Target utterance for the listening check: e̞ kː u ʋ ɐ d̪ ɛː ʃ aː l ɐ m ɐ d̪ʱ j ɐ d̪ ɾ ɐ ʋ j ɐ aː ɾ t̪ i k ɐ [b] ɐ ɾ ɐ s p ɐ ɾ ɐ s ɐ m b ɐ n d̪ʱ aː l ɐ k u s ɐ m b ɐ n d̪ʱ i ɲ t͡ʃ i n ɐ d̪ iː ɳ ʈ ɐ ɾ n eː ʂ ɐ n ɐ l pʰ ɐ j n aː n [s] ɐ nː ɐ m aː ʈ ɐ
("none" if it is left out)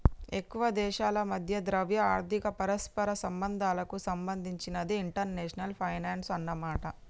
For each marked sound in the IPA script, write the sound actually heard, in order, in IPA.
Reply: p, s

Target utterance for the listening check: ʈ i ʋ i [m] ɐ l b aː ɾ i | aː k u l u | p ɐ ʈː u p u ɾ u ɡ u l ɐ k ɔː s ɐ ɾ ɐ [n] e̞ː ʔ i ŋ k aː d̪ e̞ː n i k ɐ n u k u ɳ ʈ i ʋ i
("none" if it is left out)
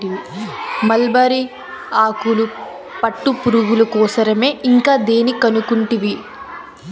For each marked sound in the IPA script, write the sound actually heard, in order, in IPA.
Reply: m, m

